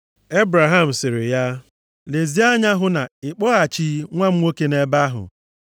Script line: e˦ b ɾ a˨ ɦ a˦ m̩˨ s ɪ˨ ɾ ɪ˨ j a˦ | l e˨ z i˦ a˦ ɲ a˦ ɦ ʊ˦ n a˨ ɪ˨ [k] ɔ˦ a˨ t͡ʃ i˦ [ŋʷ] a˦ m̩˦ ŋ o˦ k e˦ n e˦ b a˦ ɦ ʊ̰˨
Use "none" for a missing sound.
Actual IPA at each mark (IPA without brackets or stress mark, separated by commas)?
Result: k͡p, ŋʷ